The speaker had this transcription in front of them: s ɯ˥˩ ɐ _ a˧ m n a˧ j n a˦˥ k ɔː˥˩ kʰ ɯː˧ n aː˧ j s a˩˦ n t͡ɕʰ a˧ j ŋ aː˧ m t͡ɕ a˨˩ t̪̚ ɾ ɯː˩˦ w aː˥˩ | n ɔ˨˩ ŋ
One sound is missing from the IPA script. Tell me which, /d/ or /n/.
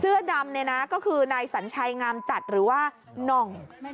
d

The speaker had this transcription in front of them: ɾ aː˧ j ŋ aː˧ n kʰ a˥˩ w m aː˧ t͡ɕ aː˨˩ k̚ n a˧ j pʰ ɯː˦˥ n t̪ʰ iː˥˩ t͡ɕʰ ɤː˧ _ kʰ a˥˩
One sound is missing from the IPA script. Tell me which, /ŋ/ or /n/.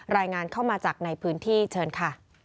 n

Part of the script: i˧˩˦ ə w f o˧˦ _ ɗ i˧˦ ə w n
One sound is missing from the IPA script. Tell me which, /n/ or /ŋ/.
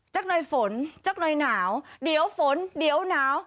n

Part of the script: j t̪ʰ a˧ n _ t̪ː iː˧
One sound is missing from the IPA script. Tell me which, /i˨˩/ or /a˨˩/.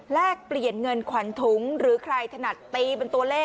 a˨˩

